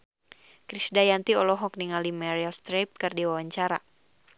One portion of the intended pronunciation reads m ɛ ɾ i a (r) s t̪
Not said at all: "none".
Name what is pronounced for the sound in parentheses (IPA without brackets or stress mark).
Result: l